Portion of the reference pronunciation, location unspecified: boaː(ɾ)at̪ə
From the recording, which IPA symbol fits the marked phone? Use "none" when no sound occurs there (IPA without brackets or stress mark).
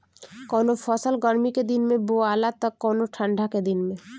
l